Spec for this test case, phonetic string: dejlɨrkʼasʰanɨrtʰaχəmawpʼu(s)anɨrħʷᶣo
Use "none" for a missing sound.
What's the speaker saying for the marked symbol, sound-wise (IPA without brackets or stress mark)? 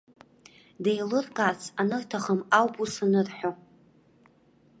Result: s